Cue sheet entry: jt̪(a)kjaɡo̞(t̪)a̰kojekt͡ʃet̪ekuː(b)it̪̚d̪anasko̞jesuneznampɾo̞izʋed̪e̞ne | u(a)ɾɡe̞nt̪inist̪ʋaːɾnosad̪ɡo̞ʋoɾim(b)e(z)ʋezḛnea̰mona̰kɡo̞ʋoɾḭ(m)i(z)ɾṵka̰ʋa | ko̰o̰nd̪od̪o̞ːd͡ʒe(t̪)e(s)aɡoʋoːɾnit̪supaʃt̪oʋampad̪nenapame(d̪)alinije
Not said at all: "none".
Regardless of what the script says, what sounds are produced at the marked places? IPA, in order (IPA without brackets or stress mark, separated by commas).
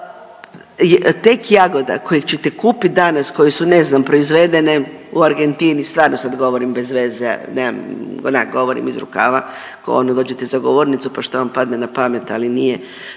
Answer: e, d̪, p, a, b, z, m, z, t̪, z, t̪